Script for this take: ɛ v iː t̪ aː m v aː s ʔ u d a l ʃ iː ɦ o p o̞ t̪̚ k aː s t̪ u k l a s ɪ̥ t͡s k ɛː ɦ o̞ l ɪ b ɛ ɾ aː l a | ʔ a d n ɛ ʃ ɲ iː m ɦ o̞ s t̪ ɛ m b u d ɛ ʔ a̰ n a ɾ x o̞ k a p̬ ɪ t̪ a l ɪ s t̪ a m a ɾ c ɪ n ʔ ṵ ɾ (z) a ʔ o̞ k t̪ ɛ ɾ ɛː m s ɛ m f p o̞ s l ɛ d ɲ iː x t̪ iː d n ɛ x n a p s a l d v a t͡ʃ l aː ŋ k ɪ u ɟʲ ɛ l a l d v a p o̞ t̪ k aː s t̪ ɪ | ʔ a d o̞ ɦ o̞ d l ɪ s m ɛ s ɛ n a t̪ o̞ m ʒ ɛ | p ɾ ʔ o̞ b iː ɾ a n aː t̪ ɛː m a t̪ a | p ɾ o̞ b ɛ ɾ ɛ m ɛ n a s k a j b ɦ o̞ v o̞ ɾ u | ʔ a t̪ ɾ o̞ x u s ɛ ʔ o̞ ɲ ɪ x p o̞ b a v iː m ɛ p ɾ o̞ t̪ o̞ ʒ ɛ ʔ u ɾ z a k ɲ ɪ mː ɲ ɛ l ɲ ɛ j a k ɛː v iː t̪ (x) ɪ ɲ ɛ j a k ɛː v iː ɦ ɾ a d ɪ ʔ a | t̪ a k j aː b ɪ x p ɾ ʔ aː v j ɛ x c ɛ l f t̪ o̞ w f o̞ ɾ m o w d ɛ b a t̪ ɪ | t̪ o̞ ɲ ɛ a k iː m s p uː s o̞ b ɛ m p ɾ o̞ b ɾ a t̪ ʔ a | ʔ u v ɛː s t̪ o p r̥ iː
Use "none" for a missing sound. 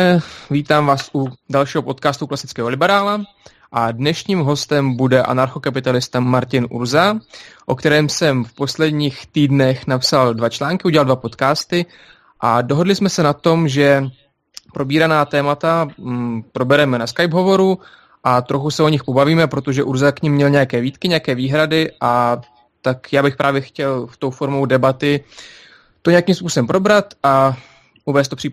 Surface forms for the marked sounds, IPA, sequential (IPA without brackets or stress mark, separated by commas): z, k